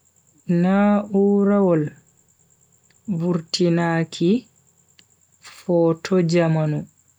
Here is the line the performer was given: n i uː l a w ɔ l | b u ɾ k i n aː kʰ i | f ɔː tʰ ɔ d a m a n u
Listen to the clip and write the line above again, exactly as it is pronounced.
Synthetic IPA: n a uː ɾ a w ɔ l | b u ɾ t i n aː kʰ i | f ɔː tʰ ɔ d͡ʒ a m a n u